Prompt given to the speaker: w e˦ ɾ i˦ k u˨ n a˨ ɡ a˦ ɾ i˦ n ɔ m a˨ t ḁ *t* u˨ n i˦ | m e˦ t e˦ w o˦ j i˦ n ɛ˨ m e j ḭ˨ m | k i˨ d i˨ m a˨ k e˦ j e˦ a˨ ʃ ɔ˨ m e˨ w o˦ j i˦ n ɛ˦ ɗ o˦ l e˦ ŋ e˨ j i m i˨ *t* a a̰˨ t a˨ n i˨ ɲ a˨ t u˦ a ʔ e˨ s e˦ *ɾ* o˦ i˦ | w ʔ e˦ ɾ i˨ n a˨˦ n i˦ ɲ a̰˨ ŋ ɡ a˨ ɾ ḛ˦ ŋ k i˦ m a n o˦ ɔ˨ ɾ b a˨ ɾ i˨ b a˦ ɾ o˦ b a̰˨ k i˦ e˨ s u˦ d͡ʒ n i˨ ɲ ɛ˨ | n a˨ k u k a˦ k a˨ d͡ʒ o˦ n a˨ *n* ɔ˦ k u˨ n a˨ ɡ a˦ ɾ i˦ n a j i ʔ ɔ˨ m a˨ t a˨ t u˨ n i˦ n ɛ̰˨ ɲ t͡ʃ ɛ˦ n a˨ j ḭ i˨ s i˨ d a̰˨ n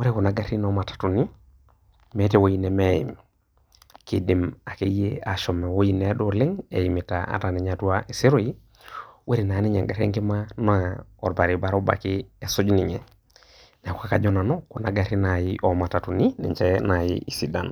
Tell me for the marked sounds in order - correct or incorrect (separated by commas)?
correct, correct, correct, correct